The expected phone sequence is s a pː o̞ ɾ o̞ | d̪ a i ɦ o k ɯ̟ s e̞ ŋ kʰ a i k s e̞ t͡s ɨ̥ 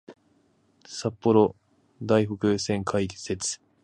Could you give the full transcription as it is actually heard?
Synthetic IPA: s a pː o̞ ɾ o̞ | d̪ a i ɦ o k ɯ̟ s ẽ̞ ŋ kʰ a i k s e̞ t͡s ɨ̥